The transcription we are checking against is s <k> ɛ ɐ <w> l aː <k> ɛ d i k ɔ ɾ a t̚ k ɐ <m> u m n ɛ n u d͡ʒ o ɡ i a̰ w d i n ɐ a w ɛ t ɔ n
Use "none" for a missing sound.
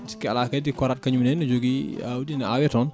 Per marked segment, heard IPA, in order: k, none, k, ɲ

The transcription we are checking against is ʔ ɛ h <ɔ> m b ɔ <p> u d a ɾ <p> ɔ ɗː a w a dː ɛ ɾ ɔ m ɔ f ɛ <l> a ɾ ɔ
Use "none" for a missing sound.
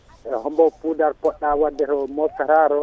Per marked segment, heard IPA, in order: ɔ, p, p, ɾ

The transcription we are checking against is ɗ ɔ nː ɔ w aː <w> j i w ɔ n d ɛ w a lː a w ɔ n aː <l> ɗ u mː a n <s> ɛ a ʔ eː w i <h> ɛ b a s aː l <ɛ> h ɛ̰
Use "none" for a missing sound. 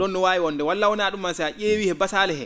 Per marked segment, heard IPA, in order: none, none, s, h, ɛ

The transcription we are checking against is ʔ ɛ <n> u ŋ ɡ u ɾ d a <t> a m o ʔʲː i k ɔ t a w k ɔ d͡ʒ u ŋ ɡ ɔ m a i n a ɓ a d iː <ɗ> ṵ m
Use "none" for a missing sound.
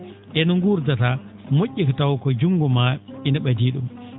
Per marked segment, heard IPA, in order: n, t, ɗ

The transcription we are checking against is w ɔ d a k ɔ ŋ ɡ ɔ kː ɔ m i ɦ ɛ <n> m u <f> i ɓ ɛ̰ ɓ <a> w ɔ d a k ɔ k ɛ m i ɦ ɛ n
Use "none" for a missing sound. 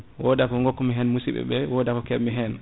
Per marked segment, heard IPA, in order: n, s, ɛ

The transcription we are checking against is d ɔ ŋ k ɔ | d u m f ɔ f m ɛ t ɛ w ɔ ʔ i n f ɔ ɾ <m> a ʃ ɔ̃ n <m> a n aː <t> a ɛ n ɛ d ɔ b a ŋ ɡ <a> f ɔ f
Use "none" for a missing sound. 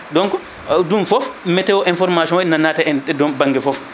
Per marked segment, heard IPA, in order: m, n, t, ɛ

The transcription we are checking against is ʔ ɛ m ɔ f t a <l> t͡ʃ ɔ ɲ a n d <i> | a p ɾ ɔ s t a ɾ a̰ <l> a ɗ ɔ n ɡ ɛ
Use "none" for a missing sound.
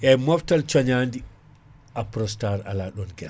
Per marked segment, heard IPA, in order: l, i, l

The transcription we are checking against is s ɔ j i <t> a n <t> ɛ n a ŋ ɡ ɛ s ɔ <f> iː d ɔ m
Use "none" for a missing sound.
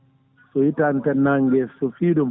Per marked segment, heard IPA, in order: t, t, f

